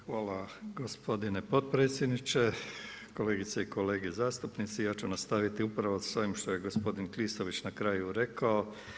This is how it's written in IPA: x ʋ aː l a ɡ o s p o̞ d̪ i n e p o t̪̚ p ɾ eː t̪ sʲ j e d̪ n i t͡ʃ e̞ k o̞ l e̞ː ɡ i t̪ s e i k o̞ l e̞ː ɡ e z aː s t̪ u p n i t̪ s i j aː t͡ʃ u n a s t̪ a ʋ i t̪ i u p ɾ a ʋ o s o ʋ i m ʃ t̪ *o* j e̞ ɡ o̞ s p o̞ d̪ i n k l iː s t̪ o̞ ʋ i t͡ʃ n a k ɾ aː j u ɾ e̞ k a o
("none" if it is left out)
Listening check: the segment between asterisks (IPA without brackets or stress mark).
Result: o